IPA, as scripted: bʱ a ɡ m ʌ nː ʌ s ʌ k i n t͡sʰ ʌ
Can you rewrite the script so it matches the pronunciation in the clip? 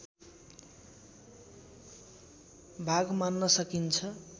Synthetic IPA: bʱ a ɡ m a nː ʌ s ʌ k i n t͡sʰ ʌ